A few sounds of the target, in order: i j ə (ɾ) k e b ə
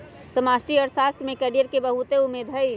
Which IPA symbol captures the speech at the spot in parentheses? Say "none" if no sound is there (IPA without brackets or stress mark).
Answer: ɾ